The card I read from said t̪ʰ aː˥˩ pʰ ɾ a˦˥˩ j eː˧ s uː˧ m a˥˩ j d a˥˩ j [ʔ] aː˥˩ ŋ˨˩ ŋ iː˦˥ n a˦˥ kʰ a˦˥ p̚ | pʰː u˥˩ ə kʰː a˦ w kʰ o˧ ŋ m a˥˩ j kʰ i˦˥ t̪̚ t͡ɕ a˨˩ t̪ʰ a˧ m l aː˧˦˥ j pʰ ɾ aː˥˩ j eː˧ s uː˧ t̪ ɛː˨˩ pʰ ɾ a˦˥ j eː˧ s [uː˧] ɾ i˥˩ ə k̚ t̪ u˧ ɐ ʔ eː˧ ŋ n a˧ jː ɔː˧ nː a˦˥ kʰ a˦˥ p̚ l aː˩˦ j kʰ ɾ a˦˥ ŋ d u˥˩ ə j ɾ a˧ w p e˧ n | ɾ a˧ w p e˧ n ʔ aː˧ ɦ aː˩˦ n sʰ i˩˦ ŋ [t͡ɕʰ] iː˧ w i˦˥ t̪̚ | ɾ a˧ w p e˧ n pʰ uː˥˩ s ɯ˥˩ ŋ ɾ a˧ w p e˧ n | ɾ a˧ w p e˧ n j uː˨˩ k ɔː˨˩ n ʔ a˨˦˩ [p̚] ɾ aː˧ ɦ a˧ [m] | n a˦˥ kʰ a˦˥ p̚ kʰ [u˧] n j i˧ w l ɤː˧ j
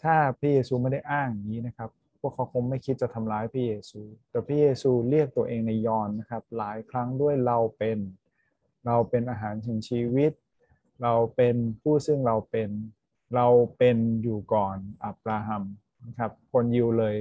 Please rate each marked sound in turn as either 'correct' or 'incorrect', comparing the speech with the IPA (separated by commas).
correct, correct, correct, correct, correct, incorrect